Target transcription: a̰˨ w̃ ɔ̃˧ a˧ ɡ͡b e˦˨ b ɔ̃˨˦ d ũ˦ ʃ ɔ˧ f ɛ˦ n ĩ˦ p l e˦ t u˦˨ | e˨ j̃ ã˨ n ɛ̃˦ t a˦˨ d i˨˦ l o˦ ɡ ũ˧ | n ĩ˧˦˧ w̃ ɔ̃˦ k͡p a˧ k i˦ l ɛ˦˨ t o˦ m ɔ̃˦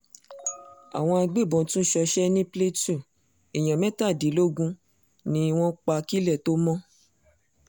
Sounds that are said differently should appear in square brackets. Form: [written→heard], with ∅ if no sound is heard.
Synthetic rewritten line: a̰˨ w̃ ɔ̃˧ a˧ ɡ͡b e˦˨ b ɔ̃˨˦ [d→t] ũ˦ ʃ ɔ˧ [f→ʃ] ɛ˦ n ĩ˦ p l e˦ t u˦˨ | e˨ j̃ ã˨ [n→m] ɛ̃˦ t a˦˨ d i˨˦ l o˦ ɡ ũ˧ | n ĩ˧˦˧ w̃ ɔ̃˦ k͡p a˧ k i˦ l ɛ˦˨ t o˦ m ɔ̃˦